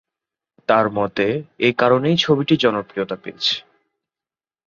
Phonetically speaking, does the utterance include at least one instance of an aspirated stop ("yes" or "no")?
yes